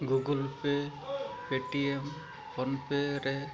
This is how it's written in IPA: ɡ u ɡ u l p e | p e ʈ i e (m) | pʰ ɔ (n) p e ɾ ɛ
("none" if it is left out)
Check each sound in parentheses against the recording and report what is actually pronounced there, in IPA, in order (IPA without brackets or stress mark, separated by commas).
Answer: m, n